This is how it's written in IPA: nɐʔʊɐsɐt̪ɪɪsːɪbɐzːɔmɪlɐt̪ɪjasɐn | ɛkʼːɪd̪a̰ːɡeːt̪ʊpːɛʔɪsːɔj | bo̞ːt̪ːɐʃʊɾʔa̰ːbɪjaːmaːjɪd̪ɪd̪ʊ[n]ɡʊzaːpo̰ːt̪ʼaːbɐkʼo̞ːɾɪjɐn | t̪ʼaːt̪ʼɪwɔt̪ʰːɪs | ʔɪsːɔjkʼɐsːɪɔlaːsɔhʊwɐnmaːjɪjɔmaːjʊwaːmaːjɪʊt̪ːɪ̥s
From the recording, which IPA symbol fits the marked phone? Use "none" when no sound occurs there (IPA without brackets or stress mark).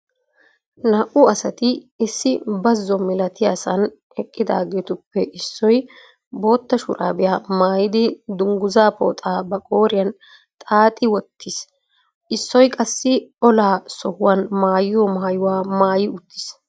ŋ